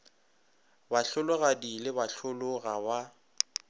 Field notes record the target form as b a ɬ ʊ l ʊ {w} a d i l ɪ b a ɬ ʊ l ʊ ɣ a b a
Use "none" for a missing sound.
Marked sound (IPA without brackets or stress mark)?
ɣ